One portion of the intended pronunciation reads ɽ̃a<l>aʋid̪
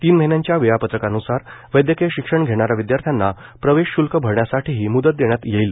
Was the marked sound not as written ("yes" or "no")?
yes